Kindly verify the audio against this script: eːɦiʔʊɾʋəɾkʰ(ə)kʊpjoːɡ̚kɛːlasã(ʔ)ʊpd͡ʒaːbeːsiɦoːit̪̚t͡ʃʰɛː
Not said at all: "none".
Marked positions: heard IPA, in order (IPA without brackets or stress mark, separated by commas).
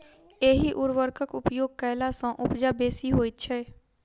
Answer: ə, ʔ